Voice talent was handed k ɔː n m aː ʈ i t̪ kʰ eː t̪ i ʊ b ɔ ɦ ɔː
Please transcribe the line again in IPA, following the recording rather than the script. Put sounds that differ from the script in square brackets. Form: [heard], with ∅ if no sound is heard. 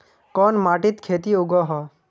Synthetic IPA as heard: k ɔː n m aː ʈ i t̪ kʰ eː t̪ i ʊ [ɡ] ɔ ɦ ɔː